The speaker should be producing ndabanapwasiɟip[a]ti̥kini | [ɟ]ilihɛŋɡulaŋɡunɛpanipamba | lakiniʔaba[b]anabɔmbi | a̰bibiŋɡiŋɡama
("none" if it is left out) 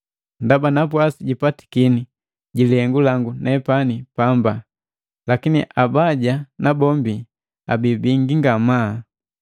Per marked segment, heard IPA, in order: a, ɟ, ɟ

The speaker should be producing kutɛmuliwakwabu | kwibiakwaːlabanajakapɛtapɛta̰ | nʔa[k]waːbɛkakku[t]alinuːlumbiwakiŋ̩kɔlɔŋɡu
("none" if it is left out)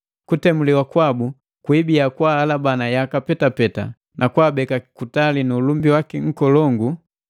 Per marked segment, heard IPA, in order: k, t

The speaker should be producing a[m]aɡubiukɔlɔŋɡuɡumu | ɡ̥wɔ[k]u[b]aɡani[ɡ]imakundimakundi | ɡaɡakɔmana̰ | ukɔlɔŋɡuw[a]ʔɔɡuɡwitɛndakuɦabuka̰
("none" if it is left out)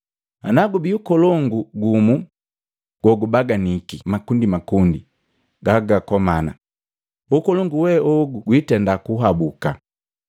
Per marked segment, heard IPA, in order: n, ɡ, b, k, ɛ

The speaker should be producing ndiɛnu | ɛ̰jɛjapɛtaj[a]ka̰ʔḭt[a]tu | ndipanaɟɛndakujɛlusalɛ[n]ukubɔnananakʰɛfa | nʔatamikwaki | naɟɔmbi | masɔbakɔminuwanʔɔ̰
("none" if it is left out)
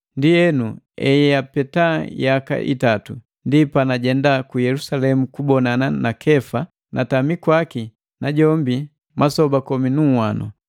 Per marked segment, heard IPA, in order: a, a, m

